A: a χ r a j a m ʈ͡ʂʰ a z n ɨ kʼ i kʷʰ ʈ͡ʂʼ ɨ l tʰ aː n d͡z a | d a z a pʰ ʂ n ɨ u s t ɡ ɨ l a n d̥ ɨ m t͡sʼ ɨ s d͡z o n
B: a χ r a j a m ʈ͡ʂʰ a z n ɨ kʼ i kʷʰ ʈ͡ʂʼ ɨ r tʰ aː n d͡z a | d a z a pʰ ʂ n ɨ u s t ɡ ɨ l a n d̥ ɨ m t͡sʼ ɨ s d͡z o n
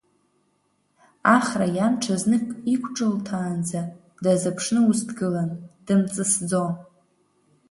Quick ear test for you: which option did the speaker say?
A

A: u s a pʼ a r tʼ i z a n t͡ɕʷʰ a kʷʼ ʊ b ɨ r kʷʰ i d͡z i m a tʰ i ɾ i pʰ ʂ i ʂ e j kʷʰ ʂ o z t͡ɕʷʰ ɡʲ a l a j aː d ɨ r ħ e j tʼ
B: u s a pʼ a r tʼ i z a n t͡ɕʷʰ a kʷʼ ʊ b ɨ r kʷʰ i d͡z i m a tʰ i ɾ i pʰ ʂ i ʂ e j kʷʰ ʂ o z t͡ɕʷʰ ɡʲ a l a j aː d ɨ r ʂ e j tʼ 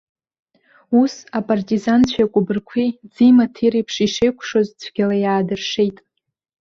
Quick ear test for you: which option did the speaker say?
B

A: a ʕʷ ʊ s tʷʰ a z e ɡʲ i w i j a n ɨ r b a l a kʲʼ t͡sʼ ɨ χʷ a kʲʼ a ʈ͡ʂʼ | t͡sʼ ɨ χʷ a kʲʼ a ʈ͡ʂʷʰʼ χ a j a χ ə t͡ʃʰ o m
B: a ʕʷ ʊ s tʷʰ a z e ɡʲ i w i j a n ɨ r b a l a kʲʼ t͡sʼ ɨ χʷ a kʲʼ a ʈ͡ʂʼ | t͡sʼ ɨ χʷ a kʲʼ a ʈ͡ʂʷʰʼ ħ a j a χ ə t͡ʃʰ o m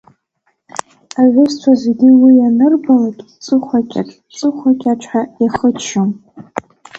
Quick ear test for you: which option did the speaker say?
B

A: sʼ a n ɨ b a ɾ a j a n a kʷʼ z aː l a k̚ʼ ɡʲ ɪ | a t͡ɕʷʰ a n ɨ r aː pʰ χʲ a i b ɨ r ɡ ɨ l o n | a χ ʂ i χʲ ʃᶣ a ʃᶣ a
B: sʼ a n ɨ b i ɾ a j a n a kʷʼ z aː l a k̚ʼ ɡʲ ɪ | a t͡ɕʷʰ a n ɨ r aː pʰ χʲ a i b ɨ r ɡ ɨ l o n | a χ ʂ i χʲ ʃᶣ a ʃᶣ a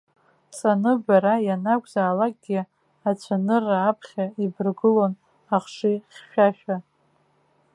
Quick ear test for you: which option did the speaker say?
A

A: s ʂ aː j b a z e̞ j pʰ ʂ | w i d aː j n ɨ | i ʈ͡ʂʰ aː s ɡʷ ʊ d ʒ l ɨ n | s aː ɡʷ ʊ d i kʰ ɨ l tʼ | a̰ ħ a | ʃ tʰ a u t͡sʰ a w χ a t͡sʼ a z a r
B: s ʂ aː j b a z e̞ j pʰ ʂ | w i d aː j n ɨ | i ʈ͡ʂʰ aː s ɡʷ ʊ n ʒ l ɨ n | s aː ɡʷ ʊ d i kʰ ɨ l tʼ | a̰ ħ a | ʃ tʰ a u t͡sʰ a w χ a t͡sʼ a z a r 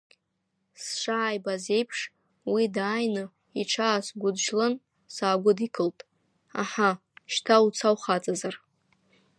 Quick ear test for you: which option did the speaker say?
A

